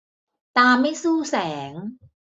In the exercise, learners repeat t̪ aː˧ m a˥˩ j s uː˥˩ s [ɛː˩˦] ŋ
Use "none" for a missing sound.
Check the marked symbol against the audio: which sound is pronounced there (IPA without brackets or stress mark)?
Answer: ɛː˩˦